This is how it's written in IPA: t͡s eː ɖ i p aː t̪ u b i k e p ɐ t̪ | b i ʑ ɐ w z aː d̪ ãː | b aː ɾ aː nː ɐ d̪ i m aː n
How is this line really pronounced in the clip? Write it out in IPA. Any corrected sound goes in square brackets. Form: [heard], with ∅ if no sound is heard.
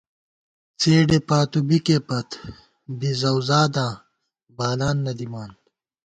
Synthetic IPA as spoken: t͡s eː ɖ [e] p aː t̪ u b i k e p ɐ t̪ | b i [z] ɐ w z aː d̪ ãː | b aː [l] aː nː ɐ d̪ i m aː n